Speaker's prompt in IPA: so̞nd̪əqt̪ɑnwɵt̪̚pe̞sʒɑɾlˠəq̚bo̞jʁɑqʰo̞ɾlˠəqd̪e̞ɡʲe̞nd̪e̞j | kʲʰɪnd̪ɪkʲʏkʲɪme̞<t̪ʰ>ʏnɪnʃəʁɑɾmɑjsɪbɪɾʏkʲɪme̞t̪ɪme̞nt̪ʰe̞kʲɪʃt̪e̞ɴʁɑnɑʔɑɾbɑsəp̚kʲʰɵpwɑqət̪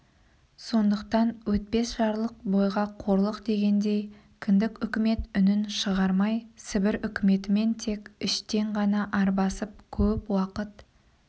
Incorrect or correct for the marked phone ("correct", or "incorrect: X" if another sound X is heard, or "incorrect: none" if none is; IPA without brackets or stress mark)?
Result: incorrect: t̪